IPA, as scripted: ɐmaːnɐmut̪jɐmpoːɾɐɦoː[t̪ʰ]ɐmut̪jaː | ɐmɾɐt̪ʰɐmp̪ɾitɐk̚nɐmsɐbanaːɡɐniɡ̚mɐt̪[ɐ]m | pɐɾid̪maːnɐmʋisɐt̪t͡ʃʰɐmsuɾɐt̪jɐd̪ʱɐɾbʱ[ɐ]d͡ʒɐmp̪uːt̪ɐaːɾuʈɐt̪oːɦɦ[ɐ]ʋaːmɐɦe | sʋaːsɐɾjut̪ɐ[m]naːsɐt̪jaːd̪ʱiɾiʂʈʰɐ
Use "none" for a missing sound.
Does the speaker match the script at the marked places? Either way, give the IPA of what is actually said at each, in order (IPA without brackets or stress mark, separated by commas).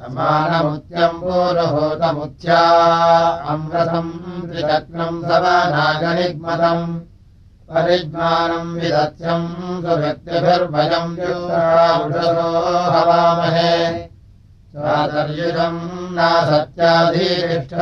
t̪, ɐ, ɐ, ɐ, m